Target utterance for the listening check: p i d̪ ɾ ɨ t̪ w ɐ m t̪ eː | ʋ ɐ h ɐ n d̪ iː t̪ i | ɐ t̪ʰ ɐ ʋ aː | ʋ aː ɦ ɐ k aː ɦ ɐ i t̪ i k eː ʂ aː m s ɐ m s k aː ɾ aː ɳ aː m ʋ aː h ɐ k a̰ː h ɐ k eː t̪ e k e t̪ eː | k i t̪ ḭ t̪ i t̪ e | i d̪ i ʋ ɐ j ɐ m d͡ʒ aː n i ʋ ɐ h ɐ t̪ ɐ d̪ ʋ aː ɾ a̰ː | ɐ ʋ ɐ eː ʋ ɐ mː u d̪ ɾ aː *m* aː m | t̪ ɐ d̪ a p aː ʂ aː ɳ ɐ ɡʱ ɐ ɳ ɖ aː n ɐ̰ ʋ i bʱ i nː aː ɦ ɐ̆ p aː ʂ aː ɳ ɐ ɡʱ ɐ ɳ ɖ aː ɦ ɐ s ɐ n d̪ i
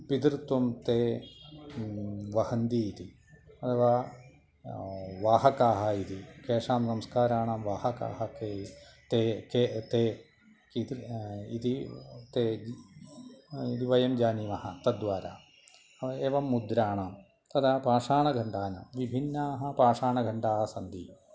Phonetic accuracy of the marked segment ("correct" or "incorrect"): incorrect